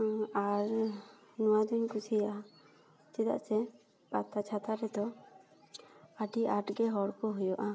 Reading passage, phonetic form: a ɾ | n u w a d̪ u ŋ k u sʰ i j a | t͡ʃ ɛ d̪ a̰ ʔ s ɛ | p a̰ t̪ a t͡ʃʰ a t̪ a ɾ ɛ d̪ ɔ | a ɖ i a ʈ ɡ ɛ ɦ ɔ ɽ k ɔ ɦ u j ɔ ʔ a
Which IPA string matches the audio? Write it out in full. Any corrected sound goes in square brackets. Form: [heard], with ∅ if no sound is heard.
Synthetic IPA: a ɾ | n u w a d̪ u [ɲ] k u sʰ i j a | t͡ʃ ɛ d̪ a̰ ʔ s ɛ | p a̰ t̪ a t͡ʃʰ a t̪ a ɾ ɛ d̪ ɔ | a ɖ i a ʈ ɡ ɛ ɦ ɔ ɽ k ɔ ɦ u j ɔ ʔ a